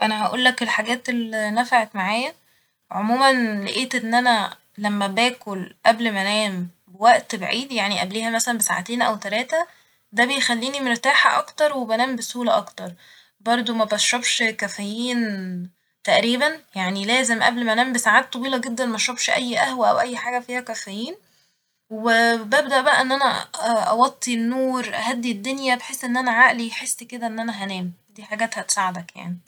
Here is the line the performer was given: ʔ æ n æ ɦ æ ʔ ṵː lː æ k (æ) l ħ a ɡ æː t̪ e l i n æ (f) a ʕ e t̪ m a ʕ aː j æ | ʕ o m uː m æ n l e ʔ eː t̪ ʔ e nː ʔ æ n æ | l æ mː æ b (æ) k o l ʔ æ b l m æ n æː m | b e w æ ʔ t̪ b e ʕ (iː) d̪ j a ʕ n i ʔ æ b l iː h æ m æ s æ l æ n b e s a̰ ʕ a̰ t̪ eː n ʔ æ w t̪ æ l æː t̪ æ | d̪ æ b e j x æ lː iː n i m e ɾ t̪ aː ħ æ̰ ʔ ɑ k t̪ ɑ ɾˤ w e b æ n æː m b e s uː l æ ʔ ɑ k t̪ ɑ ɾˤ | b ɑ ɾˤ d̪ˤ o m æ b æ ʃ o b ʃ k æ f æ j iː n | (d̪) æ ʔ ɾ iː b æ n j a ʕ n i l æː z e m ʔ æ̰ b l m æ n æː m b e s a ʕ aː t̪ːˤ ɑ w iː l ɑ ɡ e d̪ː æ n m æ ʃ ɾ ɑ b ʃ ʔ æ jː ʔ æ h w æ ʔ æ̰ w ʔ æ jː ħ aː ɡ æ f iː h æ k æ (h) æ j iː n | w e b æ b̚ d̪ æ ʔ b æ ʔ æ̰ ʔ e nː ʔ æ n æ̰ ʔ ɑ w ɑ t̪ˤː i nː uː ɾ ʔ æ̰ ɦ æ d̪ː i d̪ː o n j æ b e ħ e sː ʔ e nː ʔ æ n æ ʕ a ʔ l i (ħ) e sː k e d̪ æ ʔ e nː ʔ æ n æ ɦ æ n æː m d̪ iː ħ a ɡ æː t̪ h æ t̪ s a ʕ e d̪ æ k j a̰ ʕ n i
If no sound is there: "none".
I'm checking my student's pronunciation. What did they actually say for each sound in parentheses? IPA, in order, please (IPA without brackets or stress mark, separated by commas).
e, f, æː, iː, t̪, f, ħ